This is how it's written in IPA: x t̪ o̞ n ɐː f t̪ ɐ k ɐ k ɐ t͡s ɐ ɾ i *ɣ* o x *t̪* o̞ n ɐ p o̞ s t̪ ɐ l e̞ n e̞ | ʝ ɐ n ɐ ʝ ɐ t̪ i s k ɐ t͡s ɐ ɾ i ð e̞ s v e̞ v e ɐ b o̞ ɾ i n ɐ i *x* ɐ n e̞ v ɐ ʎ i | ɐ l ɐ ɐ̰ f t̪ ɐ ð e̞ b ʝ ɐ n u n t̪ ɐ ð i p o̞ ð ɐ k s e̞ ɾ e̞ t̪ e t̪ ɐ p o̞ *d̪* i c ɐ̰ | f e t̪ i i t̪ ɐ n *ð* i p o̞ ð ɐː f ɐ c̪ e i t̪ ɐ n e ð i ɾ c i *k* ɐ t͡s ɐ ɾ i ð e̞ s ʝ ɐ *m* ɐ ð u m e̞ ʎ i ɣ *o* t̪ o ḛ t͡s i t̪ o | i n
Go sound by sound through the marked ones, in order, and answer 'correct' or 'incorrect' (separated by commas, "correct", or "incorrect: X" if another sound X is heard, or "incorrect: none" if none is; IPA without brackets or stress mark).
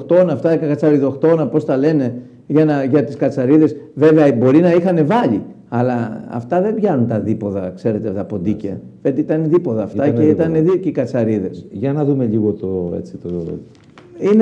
incorrect: ð, correct, correct, correct, correct, correct, incorrect: n, correct